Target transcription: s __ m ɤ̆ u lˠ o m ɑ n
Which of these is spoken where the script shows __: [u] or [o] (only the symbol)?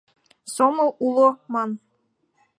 o